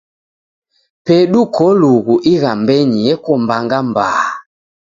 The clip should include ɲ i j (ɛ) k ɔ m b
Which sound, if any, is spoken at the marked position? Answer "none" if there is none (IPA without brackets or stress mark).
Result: ɛ